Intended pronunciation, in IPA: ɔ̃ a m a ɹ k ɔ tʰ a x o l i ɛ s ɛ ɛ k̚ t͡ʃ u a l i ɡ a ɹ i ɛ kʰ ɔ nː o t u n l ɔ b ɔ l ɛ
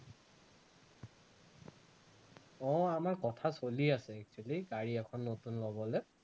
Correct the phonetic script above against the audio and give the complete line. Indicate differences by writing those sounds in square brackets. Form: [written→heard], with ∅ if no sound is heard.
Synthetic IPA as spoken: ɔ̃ a m a ɹ k ɔ tʰ a [x→s] o l i [ɛ→a] s ɛ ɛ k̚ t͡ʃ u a l i ɡ a ɹ i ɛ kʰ ɔ nː o t u n l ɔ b ɔ l ɛ